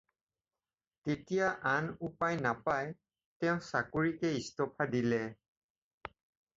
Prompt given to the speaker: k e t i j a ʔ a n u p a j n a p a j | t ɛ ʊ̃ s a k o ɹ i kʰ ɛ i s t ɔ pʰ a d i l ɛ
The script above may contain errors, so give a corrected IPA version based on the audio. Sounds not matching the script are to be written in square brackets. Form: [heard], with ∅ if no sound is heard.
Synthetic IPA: [t] e t i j a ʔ a n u p a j n a p a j | t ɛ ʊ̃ s a k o ɹ i [k] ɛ i s t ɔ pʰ a d i l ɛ